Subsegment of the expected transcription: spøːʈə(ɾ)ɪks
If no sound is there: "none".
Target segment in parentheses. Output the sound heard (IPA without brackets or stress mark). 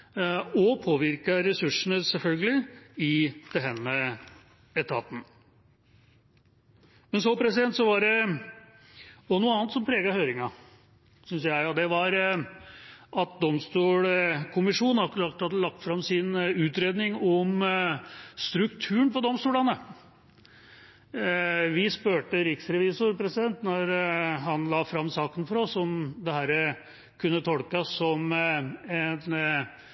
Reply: ɾ